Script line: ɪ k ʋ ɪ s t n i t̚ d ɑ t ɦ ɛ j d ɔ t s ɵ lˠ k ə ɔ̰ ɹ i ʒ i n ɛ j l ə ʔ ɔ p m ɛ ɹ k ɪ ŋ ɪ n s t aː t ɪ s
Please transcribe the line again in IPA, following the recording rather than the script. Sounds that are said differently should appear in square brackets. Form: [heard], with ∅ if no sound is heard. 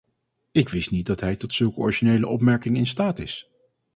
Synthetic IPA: ɪ k ʋ ɪ s t n i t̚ d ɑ t ɦ ɛ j [t] ɔ t s ɵ lˠ k ə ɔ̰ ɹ i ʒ i n [e] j l ə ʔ ɔ p m ɛ ɹ k ɪ ŋ ɪ n s t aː t ɪ s

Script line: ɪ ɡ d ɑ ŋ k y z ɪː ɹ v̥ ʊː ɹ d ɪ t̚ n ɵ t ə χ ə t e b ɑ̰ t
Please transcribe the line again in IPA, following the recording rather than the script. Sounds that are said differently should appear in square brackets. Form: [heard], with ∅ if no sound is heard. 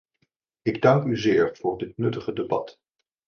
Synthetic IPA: ɪ ɡ d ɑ ŋ k y z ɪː ɹ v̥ ʊː ɹ d ɪ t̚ n ɵ t ə χ ə [d] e b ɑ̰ t

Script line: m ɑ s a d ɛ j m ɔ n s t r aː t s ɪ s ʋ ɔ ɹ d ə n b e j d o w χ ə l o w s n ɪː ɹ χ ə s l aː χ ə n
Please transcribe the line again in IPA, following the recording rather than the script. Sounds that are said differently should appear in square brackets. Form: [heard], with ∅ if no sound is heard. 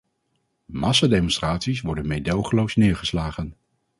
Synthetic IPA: m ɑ s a d [e] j m ɔ n s t r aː t s [i] s ʋ ɔ ɹ d ə n [m] e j d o w χ ə l o w s n ɪː ɹ χ ə s l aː χ ə n

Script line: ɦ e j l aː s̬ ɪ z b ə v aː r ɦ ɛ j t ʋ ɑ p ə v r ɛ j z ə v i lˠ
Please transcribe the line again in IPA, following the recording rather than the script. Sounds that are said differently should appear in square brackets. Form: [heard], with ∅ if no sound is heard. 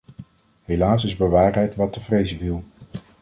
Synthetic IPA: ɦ e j l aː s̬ ɪ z b ə [ʋ] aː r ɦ ɛ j t ʋ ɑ [t] ə v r [e] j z ə v i lˠ

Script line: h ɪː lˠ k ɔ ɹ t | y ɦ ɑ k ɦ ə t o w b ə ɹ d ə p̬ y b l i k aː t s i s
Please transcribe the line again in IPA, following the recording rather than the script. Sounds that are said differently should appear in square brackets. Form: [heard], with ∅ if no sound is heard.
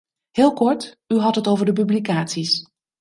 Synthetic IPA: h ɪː lˠ k ɔ ɹ t | y ɦ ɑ [t] ɦ ə t o w [v] ə ɹ d ə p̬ y b l i k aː t s i s

